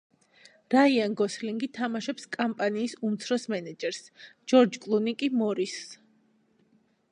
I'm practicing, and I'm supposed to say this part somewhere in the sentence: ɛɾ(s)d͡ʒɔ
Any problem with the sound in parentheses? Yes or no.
no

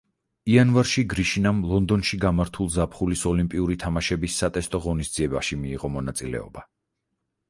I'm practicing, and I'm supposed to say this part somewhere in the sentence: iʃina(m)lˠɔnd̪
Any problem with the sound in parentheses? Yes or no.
no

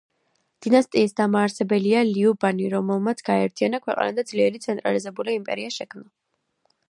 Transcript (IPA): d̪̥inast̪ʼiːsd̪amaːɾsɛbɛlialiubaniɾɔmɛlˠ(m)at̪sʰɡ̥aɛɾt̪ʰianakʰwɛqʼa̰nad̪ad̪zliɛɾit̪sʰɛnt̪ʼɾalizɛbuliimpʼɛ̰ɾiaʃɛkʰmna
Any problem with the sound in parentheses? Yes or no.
no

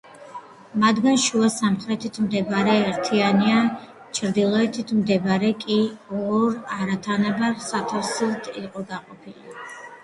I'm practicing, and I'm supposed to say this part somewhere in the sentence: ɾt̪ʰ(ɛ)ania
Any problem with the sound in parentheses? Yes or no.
yes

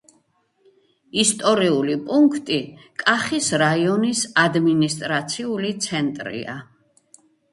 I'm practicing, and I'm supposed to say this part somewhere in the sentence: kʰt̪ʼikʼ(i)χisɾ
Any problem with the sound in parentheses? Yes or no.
yes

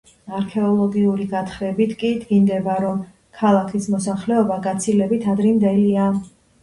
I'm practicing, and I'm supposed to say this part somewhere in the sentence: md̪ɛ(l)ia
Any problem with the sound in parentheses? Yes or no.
no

